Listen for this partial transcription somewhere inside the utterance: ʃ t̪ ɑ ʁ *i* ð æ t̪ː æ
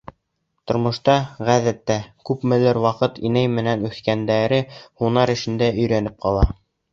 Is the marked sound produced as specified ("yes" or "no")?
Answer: no